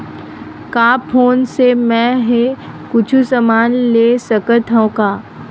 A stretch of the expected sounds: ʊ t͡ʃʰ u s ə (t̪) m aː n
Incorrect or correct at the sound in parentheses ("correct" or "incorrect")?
incorrect